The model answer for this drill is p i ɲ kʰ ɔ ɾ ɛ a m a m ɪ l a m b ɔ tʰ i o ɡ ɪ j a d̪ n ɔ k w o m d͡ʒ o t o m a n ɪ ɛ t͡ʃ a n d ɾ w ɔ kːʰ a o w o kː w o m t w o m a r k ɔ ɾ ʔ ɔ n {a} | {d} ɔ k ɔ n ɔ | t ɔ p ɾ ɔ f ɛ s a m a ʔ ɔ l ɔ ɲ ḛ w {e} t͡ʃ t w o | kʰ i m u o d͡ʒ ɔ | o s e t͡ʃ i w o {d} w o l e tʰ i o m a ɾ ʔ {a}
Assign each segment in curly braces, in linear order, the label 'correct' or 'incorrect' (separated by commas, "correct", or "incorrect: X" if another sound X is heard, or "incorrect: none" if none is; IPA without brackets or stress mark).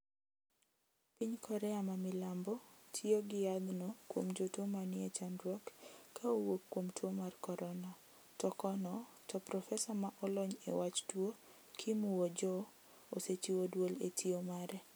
correct, incorrect: t, incorrect: a, correct, incorrect: ɛ